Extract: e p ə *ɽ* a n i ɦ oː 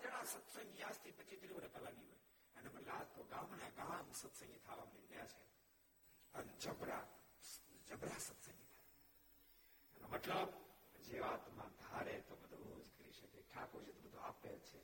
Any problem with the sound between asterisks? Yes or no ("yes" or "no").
yes